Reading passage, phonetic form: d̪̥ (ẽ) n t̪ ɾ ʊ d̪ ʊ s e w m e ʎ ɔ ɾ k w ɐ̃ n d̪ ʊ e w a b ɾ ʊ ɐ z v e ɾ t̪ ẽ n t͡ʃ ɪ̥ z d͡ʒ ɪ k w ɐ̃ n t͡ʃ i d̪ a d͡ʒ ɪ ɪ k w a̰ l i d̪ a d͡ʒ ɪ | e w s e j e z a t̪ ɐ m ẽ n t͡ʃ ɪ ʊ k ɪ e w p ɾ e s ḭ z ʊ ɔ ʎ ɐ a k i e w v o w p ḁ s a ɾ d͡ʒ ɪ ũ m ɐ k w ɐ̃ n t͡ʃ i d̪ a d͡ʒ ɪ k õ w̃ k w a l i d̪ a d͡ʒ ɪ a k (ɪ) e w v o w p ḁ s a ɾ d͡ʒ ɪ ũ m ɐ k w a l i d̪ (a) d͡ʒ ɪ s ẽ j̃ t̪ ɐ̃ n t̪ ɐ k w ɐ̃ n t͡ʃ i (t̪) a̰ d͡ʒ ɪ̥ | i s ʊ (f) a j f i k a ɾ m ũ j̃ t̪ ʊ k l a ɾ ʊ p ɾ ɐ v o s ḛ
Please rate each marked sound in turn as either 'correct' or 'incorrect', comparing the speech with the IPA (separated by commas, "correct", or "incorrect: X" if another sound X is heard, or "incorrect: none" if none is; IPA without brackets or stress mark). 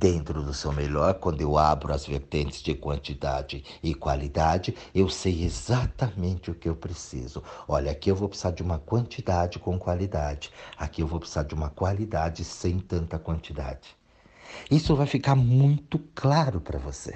correct, incorrect: i, correct, incorrect: d̪, incorrect: v